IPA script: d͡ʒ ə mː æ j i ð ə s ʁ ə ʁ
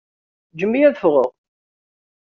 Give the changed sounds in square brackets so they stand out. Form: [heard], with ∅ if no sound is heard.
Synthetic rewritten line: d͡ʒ ə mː [i] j [æ] ð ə [f] ʁ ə ʁ